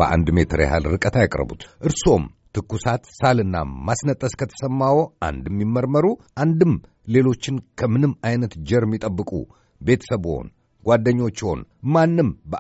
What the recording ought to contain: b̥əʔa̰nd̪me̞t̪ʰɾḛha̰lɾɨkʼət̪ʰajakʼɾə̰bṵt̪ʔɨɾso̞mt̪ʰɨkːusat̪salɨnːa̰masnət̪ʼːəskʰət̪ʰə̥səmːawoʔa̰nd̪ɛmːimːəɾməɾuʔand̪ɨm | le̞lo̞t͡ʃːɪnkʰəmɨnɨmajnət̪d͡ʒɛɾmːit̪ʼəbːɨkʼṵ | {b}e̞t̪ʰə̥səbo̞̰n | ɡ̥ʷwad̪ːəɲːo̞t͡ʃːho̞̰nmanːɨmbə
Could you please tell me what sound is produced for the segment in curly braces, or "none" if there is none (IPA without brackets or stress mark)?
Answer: b